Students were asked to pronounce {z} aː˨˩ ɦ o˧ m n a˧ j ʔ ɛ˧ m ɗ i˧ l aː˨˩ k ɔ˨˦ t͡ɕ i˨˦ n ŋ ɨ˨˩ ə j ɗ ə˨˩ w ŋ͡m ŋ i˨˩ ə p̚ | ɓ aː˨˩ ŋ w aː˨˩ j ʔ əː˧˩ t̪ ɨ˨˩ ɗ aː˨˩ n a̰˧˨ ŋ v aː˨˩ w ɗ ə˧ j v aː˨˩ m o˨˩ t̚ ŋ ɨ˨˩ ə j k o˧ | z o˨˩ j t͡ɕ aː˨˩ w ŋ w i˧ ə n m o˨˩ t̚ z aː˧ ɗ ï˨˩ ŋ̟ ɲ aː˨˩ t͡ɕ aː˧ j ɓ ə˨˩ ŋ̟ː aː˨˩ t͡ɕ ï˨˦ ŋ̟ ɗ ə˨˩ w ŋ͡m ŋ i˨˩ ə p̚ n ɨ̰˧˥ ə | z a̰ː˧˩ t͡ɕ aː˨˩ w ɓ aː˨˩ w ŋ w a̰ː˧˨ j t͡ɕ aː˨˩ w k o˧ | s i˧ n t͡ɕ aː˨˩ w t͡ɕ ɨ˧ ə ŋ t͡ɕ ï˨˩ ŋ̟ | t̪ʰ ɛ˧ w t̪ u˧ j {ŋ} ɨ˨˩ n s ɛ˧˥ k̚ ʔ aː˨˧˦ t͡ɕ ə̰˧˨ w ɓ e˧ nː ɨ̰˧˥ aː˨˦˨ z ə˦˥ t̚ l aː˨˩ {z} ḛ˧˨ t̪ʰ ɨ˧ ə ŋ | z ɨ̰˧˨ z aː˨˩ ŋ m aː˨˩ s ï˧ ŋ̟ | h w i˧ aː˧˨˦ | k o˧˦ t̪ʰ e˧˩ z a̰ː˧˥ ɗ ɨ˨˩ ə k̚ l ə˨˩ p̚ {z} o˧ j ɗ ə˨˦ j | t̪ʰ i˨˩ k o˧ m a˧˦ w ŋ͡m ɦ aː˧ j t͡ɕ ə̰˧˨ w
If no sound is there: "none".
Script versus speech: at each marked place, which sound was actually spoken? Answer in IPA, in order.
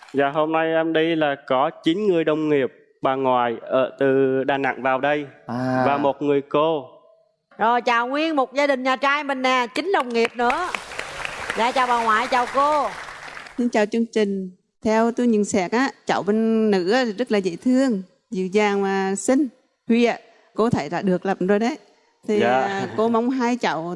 z, ɲ, z, z

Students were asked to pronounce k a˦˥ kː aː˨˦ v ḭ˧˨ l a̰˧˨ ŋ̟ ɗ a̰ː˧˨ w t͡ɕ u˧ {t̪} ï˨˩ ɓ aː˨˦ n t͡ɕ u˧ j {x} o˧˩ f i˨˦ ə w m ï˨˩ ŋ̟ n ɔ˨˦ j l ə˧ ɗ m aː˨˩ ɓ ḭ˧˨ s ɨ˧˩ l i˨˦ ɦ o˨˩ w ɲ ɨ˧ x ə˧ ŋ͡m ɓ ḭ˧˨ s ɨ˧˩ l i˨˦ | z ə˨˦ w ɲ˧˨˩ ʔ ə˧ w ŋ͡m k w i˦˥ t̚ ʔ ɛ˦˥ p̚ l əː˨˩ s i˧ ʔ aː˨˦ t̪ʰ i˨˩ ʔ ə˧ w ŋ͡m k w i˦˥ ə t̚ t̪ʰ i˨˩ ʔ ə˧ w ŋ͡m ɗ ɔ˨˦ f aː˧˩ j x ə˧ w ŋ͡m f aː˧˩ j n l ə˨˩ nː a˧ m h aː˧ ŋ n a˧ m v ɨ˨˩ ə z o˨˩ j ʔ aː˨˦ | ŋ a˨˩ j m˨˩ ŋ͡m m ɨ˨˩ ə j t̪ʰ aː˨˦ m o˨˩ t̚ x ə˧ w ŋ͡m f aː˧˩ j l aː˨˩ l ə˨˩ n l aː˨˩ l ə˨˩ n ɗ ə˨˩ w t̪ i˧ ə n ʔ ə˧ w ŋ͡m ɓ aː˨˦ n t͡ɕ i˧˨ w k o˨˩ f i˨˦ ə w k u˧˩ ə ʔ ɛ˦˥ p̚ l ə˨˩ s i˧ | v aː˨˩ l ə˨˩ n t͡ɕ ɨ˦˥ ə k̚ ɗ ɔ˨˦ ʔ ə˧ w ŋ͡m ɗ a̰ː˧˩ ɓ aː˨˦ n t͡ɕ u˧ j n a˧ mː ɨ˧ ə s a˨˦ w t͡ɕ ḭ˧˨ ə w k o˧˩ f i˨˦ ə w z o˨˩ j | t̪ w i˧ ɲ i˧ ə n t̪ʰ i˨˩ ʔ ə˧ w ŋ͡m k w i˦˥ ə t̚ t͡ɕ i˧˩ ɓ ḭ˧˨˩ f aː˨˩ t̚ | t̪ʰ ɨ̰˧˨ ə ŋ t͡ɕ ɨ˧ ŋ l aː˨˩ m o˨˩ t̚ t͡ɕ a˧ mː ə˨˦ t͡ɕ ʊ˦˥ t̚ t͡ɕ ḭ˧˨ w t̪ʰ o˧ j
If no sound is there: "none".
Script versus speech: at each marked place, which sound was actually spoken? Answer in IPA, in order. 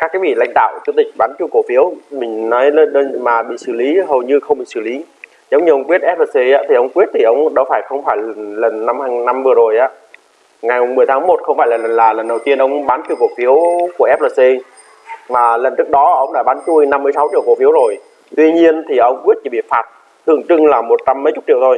t̪, k

